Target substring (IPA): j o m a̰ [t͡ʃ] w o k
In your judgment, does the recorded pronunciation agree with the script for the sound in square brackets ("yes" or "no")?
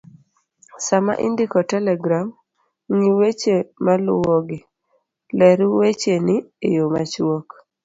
yes